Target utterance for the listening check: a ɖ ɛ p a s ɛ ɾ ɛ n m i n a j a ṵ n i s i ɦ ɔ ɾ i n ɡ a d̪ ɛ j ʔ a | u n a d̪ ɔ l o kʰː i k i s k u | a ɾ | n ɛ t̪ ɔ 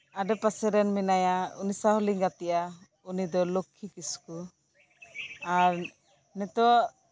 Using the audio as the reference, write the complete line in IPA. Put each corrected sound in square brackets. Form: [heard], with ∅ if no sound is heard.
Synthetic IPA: a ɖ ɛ p a s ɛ ɾ ɛ n m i n a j a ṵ n i s [a] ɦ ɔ [l] i [ŋ] ɡ a [t̪] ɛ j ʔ a | u n [i] d̪ ɔ l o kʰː i k i s k u | a ɾ | n ɛ t̪ ɔ